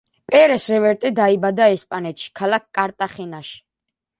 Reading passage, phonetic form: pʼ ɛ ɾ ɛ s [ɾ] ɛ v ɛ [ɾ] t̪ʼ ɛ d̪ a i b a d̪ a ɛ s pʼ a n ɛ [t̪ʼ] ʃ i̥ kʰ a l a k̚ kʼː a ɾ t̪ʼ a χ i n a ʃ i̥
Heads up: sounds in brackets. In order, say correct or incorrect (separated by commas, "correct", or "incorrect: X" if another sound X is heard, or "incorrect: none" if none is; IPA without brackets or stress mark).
correct, correct, incorrect: t̪